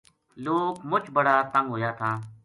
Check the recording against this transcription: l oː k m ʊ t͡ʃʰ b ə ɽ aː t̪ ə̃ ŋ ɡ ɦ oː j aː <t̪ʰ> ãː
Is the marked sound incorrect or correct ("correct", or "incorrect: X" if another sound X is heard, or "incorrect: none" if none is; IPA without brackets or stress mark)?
correct